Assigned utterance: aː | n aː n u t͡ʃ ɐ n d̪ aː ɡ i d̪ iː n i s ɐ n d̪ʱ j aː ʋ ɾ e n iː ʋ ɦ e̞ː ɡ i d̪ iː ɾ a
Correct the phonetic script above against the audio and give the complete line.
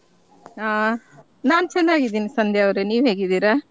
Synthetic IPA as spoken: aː | n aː n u t͡ʃ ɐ n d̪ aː ɡ i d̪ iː n i s ɐ n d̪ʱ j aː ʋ ɾ e n iː ʋ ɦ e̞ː ɡ i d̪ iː ɾ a